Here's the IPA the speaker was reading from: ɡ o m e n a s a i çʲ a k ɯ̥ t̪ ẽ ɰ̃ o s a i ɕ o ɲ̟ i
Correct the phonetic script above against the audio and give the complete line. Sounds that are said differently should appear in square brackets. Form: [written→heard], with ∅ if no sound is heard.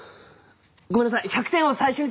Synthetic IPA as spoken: ɡ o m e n a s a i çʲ a k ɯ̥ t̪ ẽ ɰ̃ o s a i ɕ o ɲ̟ i